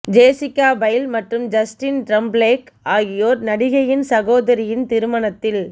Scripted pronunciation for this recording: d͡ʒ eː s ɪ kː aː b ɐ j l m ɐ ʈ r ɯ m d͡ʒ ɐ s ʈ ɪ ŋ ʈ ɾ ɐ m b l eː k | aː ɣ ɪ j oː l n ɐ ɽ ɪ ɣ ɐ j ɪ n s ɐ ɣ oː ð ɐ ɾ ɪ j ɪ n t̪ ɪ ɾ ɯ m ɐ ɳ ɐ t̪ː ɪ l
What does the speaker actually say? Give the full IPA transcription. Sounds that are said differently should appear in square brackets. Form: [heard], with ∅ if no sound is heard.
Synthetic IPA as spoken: d͡ʒ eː s ɪ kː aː b ɐ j l m ɐ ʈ r ɯ m d͡ʒ ɐ s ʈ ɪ [n] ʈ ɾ ɐ m b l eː k | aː ɣ ɪ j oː [ɾ] n ɐ ɽ ɪ ɣ ɐ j ɪ n s ɐ ɣ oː ð ɐ ɾ ɪ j ɪ n t̪ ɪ ɾ ɯ m ɐ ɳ ɐ t̪ː ɪ l